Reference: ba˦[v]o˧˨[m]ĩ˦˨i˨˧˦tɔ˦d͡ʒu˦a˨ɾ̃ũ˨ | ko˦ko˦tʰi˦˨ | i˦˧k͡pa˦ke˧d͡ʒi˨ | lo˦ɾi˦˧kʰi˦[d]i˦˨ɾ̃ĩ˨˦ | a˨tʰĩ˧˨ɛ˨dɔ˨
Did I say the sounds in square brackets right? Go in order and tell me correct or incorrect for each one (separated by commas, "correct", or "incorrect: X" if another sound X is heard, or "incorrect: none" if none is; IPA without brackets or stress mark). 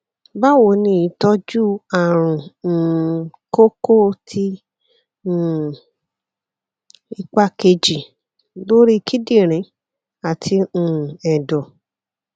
incorrect: w, incorrect: n, correct